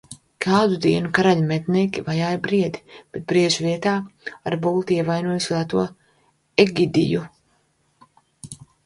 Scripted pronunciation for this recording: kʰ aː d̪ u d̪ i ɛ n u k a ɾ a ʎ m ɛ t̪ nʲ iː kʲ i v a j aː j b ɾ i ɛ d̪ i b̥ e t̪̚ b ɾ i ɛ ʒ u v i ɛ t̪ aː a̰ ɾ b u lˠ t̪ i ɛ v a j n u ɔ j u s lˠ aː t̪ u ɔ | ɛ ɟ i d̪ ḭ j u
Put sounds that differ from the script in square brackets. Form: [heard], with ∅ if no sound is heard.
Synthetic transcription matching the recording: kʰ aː d̪ u d̪ i ɛ n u k a ɾ a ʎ m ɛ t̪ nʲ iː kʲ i v a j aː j b ɾ i ɛ d̪ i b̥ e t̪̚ b ɾ i ɛ ʒ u v i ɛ t̪ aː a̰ ɾ b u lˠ t̪ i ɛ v a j n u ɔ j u s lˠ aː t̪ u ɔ | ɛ [ɡ] i d̪ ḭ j u